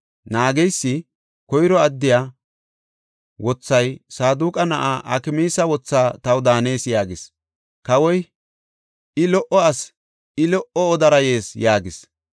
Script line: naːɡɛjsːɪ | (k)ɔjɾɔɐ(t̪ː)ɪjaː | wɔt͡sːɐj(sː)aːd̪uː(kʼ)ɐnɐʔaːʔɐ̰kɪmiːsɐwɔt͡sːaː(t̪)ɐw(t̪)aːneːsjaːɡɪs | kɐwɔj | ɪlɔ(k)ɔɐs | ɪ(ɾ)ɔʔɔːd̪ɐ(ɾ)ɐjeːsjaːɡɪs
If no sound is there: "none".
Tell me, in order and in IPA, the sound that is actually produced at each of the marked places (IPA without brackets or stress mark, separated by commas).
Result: k, d̪ː, s, kʼ, t̪, d̪, ʔ, l, ɾ